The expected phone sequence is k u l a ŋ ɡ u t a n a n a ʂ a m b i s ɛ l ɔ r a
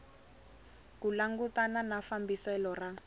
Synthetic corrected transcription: k u l a ŋ ɡ u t a n a n a f a m b i s ɛ l ɔ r a